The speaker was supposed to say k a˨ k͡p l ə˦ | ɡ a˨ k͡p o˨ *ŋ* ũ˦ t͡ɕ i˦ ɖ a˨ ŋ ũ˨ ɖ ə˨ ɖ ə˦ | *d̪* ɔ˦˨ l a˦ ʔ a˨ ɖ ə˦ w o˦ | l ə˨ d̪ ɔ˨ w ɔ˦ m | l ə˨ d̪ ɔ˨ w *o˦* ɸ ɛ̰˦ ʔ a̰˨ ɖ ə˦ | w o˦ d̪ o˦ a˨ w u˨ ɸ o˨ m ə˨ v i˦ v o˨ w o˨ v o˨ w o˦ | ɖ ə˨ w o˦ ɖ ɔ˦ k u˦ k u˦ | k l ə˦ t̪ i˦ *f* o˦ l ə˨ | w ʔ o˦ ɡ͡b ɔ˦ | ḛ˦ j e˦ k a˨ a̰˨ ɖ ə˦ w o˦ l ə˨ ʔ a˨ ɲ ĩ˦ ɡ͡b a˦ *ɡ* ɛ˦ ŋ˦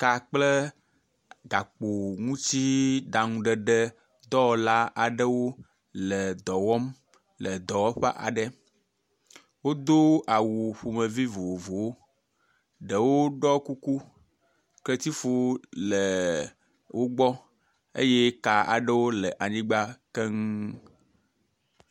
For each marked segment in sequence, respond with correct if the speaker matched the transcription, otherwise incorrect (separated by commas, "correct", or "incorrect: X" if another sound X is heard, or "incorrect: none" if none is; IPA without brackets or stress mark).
correct, correct, incorrect: ɔ˦, correct, incorrect: k